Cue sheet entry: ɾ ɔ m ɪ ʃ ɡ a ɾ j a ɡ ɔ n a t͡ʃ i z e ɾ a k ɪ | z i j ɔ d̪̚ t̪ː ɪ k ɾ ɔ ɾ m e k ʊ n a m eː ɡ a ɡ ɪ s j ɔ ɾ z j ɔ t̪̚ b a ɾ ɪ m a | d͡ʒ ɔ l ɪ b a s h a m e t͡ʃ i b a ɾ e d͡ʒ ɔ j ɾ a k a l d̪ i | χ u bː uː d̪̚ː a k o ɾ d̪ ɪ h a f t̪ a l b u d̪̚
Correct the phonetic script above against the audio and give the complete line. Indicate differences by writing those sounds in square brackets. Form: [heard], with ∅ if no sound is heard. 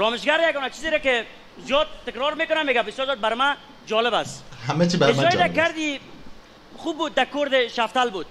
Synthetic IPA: ɾ ɔ m ɪ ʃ ɡ a ɾ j a ɡ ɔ n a t͡ʃ i z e ɾ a k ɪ | z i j ɔ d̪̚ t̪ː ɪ k ɾ ɔ ɾ m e k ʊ n a m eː ɡ a [b] ɪ s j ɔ ɾ z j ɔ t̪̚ b a ɾ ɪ m a | d͡ʒ ɔ l ɪ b a s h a m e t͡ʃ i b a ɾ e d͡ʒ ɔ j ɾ a k a [ɾ] d̪ i | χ u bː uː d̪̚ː a k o ɾ d̪ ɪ [ʃ] a f t̪ a l b u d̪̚